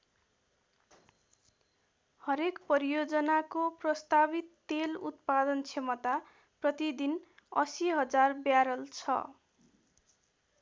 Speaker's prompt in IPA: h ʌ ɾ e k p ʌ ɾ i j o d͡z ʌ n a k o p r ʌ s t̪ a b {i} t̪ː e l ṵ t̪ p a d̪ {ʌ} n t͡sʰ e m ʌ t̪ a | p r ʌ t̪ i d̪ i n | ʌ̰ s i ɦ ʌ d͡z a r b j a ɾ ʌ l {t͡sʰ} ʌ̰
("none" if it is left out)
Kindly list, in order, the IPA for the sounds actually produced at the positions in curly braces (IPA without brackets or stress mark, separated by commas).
i, ʌ, t͡sʰ